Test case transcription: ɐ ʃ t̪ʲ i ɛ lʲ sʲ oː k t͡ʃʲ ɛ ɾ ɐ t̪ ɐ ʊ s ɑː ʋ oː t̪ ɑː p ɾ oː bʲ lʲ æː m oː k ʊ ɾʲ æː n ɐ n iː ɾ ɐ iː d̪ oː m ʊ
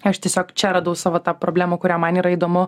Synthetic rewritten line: ɐ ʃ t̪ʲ i ɛ sʲ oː k t͡ʃʲ ɛ ɾ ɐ d̪ ɐ ʊ s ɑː ʋ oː t̪ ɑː p ɾ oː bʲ lʲ æː m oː k ʊ ɾʲ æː m ɐ n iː ɾ ɐ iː d̪ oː m ʊ